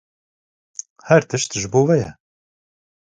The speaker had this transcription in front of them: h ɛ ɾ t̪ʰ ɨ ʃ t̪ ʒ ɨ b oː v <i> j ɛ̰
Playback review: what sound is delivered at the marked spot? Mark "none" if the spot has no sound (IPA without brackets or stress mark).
ɛ